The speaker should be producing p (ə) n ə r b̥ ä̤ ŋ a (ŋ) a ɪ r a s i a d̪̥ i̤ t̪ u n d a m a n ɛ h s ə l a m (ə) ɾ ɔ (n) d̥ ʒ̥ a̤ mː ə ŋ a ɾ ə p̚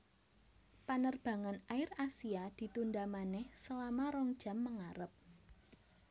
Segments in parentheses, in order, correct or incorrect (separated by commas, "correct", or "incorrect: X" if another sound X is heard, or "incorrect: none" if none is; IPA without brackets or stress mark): incorrect: a, incorrect: n, incorrect: a, incorrect: ŋ